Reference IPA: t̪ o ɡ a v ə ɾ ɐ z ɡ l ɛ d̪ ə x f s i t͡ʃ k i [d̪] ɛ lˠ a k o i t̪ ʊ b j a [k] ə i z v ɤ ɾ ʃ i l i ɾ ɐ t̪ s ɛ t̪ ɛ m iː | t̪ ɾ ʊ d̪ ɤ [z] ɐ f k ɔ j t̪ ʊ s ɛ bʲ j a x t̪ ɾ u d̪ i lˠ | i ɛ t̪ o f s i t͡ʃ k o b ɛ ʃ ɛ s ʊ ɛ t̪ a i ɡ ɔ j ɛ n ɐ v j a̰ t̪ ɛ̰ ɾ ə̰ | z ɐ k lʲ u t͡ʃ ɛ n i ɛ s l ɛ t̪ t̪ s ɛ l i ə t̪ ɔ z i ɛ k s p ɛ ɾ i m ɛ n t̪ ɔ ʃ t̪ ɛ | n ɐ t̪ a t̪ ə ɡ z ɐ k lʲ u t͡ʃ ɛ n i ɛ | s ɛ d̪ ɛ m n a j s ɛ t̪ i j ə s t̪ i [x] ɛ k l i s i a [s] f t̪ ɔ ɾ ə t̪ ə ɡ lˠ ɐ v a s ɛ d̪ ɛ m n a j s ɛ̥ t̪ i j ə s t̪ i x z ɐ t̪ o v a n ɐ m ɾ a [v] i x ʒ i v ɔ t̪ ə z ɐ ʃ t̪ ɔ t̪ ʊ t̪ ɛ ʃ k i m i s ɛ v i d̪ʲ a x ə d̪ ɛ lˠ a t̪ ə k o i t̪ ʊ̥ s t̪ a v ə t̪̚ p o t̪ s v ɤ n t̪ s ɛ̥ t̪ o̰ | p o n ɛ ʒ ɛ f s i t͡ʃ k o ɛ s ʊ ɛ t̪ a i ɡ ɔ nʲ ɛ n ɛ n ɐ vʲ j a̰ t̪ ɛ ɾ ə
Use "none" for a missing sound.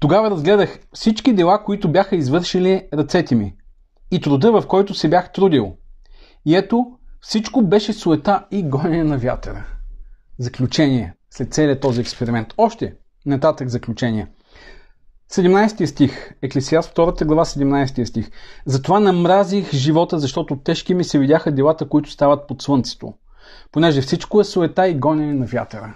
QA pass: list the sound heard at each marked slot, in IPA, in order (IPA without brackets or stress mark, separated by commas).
d̪, x, v, x, s, z